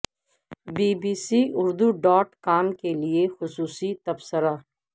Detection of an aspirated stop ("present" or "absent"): absent